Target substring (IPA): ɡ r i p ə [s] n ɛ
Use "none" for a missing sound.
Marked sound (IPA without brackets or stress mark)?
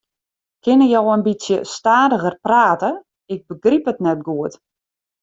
t